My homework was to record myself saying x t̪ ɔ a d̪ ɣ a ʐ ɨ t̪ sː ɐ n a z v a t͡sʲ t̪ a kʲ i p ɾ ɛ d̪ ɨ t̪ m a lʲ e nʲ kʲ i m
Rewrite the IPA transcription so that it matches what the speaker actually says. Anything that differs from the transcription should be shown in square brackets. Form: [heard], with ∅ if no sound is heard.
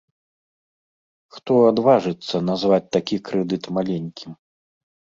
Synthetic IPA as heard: x t̪ ɔ a d̪ [v] a ʐ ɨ t̪ sː ɐ n a z v a t͡sʲ t̪ a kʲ i [k] ɾ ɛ d̪ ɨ t̪ m a lʲ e nʲ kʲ i m